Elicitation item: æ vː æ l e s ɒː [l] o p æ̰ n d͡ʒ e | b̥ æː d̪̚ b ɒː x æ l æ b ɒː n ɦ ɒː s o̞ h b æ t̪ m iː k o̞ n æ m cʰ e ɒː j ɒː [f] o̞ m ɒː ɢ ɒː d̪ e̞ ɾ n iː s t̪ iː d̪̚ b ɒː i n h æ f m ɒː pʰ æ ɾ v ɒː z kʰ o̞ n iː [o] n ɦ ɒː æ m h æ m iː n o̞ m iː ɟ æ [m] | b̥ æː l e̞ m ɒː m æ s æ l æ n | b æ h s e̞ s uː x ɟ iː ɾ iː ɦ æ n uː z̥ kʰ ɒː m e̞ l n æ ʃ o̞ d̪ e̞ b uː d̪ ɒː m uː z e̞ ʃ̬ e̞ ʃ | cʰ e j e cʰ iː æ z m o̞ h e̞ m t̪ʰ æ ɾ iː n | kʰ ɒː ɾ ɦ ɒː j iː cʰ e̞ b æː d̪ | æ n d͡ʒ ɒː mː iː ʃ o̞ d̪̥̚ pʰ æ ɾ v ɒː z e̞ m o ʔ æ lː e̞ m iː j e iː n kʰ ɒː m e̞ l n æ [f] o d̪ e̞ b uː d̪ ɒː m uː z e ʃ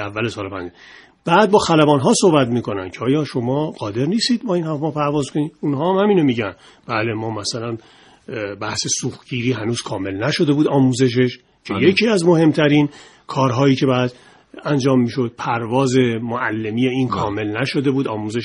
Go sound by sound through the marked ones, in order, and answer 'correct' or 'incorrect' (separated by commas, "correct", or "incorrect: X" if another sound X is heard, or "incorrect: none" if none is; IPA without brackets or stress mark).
correct, incorrect: ʃ, incorrect: u, incorrect: n, incorrect: ʃ